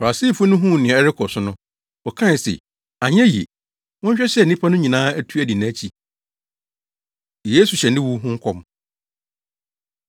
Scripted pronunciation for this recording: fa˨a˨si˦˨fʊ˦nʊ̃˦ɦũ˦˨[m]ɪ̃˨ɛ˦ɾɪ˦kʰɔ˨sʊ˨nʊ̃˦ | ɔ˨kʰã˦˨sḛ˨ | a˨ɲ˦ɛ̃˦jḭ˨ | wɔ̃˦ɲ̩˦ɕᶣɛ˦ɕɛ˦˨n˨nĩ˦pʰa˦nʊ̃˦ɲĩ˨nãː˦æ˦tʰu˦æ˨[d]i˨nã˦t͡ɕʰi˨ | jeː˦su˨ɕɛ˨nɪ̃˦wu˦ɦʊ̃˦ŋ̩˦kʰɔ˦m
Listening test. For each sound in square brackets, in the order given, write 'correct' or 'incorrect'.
incorrect, correct

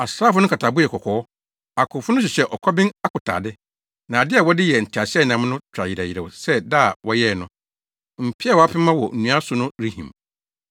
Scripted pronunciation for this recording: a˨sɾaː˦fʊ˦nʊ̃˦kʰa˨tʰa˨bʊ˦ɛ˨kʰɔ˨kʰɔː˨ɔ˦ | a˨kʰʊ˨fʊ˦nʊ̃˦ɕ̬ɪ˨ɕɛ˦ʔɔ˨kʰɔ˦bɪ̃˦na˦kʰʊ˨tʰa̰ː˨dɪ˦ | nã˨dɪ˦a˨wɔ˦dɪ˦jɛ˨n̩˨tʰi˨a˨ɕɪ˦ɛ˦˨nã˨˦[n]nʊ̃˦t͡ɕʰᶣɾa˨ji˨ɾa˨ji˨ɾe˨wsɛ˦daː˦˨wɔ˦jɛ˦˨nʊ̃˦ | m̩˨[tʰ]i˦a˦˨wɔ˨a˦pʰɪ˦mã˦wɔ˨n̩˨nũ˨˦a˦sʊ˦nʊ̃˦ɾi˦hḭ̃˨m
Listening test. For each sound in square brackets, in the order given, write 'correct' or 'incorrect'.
incorrect, incorrect

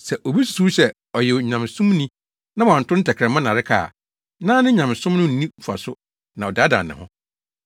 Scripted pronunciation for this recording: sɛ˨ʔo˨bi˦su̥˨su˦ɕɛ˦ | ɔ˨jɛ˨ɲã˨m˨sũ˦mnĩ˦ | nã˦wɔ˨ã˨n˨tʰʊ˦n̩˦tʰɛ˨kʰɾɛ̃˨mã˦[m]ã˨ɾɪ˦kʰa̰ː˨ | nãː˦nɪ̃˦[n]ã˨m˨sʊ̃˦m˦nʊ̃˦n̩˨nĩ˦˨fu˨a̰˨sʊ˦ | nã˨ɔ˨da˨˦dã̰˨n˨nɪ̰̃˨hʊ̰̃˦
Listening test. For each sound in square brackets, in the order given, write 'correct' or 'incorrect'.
incorrect, incorrect

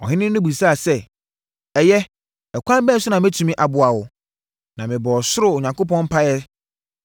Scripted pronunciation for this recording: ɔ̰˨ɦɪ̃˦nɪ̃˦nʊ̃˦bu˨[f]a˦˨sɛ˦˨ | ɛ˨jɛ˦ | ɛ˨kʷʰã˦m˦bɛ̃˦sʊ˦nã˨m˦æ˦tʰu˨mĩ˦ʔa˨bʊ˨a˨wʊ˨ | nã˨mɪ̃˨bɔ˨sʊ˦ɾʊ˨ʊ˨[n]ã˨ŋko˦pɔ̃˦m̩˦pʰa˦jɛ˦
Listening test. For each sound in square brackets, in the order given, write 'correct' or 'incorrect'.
incorrect, incorrect

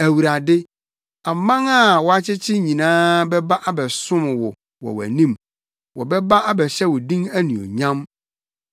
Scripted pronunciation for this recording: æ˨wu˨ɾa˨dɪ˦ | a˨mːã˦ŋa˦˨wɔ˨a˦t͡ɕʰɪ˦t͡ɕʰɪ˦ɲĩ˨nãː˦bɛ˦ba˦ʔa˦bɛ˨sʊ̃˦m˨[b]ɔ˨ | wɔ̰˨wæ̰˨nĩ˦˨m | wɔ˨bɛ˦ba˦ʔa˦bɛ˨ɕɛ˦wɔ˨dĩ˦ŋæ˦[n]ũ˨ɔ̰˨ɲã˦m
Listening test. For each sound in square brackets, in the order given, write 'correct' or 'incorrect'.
incorrect, correct

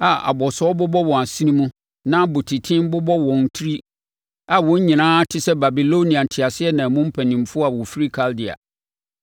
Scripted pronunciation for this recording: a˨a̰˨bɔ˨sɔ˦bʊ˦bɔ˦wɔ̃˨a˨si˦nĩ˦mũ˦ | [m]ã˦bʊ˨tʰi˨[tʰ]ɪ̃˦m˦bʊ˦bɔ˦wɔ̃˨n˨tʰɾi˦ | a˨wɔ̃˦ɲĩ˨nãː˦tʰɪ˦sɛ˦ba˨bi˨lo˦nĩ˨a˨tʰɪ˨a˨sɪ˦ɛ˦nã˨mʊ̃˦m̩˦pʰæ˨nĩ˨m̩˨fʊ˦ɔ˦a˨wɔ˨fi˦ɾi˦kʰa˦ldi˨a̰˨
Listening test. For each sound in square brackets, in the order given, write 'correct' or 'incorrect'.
incorrect, correct

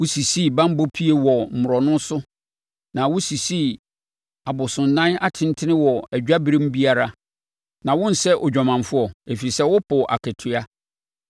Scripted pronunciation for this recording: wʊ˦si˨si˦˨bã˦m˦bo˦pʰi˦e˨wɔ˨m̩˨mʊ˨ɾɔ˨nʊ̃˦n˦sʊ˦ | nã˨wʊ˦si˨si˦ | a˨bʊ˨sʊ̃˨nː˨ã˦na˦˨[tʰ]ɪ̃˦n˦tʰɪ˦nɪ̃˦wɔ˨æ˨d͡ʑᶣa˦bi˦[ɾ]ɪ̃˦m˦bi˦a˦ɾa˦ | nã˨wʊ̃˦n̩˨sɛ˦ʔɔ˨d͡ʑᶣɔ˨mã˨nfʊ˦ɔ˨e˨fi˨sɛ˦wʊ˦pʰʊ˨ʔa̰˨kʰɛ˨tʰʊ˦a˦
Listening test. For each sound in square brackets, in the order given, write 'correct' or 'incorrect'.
correct, correct

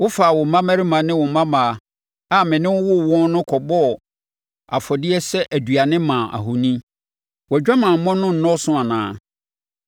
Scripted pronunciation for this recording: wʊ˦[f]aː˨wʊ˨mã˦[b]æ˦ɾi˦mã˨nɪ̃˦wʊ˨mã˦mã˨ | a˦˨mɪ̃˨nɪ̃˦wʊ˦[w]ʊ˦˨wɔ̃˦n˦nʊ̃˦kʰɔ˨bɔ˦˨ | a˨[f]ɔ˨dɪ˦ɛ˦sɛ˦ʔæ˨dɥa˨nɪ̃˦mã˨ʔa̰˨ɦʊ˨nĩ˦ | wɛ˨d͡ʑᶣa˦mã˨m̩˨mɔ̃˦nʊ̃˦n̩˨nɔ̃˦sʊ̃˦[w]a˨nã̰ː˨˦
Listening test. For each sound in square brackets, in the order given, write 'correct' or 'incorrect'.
correct, incorrect, correct, correct, incorrect

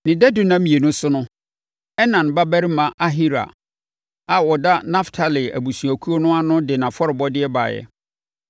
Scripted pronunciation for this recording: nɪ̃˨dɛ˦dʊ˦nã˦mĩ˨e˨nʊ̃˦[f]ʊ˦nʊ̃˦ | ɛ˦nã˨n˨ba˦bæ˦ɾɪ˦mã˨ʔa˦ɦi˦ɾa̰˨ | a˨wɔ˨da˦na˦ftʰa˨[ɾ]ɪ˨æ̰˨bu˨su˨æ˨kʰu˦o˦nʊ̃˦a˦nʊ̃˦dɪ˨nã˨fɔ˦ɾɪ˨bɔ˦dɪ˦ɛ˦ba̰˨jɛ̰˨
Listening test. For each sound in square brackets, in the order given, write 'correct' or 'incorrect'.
incorrect, incorrect

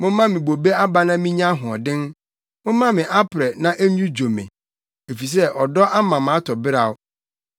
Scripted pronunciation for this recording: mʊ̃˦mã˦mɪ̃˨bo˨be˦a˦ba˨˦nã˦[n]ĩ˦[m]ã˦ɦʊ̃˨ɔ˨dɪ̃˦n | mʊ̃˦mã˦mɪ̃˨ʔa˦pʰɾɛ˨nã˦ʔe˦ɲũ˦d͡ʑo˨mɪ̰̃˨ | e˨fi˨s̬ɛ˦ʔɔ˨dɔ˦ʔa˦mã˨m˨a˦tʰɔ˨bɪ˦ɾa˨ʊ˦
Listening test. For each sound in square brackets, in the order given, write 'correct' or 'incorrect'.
incorrect, incorrect

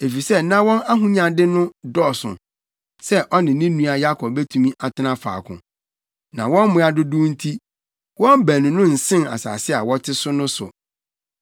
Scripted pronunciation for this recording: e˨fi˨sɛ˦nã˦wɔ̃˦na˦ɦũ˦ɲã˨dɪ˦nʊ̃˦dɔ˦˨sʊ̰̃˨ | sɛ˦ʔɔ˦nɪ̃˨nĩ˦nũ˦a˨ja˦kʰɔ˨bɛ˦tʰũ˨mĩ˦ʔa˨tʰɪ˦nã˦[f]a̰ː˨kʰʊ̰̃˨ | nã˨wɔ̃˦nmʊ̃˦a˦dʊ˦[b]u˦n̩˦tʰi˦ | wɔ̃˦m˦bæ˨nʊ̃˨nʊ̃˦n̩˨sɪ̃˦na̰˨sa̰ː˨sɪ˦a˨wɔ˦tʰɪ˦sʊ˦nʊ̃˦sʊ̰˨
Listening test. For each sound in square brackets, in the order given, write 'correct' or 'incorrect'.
correct, incorrect

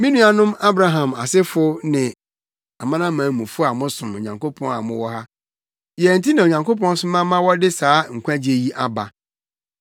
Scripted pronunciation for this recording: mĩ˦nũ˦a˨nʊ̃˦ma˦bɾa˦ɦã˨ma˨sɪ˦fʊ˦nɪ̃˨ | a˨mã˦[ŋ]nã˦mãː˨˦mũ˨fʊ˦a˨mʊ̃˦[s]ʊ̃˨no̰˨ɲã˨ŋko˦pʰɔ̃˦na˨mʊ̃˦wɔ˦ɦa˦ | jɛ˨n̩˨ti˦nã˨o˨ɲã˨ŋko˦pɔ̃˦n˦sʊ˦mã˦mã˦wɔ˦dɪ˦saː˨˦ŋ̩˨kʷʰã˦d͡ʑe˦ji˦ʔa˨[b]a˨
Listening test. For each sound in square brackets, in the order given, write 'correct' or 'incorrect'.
incorrect, correct, correct

